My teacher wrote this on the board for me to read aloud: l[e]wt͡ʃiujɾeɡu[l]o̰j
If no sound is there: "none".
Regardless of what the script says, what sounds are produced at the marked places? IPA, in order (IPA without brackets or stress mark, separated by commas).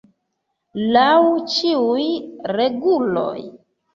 a, l